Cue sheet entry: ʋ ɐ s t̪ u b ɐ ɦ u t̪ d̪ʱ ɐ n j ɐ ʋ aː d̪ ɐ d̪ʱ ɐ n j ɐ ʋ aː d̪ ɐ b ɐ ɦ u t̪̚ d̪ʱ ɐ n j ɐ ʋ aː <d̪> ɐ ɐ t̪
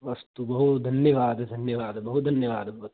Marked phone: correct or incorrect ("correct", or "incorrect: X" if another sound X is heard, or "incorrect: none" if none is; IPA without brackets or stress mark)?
correct